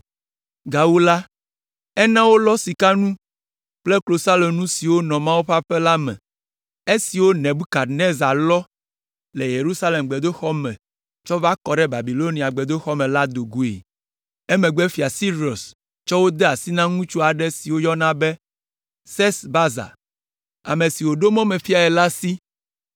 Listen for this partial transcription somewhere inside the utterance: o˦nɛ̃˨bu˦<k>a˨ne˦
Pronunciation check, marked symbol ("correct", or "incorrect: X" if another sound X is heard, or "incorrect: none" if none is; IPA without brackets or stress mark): correct